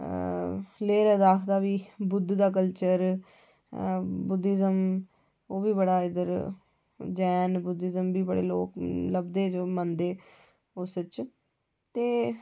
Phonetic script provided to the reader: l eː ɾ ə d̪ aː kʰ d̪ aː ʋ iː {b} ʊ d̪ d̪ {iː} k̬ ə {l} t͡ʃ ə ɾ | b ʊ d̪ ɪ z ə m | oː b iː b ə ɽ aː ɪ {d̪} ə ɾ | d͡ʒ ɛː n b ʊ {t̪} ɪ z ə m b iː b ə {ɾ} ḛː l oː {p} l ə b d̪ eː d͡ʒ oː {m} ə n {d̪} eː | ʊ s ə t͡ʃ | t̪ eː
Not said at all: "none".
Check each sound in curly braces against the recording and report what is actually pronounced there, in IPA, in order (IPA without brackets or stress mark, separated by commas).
b, aː, l, d̪, d̪, ɽ, k, m, d̪